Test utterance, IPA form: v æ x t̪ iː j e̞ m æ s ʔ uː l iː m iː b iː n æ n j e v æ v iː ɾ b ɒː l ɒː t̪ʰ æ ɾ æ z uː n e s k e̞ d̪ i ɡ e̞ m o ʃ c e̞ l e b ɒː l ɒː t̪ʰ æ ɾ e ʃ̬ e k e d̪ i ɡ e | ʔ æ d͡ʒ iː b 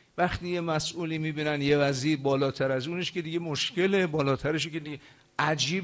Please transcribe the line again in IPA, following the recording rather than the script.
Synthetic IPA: v æ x t̪ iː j e̞ m æ s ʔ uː l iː m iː b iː n æ n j e v æ z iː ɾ b ɒː l ɒː t̪ʰ æ ɾ æ z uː n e ʃ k e̞ d̪ i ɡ e̞ m o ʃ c e̞ l e b ɒː l ɒː t̪ʰ æ ɾ e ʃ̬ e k e d̪ i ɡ e | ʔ æ d͡ʒ iː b